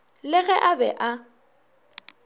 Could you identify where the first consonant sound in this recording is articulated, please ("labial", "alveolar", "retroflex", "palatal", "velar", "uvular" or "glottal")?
alveolar